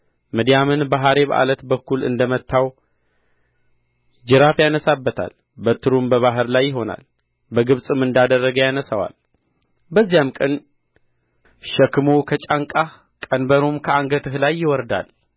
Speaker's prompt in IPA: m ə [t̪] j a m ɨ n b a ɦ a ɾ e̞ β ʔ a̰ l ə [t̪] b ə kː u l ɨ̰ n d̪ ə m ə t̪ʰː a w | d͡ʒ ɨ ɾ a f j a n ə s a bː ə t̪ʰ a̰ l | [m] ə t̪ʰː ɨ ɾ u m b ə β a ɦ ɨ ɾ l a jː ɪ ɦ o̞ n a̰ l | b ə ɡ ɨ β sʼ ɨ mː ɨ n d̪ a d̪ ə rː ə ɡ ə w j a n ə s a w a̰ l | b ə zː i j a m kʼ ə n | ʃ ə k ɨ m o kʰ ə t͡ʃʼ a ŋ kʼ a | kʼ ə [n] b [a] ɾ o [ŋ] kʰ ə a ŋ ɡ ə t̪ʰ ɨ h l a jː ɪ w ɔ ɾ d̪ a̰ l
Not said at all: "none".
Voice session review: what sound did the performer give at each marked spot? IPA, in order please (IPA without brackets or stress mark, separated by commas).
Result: d̪, t̪, b, n, ə, m